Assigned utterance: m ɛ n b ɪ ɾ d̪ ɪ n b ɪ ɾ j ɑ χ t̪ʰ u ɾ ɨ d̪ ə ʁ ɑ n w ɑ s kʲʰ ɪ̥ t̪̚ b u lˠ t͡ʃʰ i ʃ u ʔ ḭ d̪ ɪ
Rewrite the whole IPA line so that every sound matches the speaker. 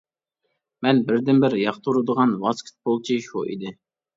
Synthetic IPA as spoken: m ɛ n b ɪ ɾ d̪ ɪ n b ɪ ɾ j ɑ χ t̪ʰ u ɾ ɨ d̪ ə ʁ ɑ n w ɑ s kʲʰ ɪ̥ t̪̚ b o lˠ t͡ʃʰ i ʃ u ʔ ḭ d̪ ɪ